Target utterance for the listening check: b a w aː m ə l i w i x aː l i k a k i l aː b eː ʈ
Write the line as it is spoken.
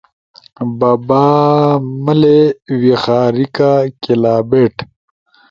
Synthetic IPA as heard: b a b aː m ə l e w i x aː ɾ i k a k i l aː b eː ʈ